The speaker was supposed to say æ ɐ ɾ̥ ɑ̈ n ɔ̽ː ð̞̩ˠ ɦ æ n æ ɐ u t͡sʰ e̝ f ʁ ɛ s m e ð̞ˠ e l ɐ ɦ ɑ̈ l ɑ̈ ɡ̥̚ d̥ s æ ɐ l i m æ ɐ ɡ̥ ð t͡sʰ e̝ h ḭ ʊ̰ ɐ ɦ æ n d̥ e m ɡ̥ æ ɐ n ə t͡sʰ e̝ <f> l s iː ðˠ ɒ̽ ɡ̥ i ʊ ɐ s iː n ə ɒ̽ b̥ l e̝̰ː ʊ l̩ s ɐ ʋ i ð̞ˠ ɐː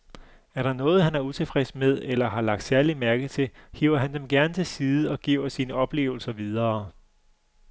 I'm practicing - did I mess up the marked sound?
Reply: yes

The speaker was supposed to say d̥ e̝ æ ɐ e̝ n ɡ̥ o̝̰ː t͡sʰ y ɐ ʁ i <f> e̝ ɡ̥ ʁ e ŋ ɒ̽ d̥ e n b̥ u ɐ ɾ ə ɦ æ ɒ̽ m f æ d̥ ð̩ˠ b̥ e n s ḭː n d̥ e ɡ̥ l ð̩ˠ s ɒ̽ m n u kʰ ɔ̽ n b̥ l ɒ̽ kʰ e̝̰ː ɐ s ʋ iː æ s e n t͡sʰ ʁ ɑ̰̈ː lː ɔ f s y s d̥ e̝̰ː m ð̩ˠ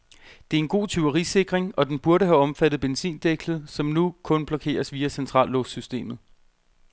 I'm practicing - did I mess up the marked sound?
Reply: yes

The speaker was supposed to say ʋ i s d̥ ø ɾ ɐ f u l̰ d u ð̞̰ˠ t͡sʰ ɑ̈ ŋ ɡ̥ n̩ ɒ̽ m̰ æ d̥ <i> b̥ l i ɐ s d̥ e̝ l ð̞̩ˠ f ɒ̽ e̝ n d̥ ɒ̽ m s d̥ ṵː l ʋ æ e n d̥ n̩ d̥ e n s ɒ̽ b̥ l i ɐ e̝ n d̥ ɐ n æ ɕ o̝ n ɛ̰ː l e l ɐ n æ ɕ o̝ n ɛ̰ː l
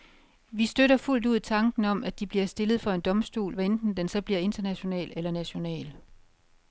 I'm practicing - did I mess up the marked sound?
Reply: no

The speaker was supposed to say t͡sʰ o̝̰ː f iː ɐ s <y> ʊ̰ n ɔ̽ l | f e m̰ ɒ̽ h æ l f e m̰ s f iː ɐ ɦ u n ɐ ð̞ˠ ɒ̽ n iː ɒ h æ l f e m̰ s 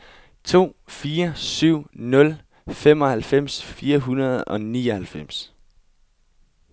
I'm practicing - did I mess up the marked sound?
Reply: no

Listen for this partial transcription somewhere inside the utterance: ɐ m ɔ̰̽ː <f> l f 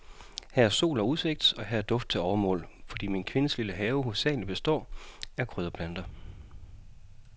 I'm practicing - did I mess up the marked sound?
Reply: yes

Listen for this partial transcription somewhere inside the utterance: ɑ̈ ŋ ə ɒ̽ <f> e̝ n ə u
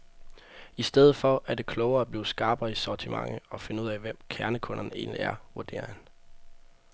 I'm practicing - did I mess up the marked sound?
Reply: no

